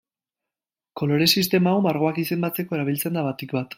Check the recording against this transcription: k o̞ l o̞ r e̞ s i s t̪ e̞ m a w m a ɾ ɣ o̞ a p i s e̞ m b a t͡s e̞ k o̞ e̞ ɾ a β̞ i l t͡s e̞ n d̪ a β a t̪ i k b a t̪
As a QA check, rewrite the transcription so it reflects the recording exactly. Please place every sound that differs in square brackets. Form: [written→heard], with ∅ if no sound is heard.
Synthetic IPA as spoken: k o̞ l o̞ [r→ɾ] e̞ s i s t̪ e̞ m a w m a ɾ ɣ o̞ a [p→k] i s e̞ m b a t͡s e̞ k o̞ e̞ ɾ a β̞ i l t͡s e̞ n d̪ a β a t̪ i k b a t̪